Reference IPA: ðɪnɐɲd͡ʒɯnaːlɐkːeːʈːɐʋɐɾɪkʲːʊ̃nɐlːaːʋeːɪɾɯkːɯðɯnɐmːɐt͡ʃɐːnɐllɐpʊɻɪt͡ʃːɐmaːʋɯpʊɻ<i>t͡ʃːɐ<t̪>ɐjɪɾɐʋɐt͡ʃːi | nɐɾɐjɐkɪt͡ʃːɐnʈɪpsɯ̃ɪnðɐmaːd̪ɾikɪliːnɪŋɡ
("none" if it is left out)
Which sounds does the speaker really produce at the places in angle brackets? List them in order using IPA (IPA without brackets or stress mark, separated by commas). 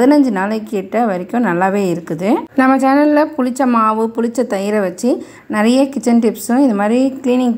ɪ, t̪